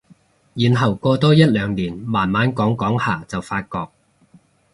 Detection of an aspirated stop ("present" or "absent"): absent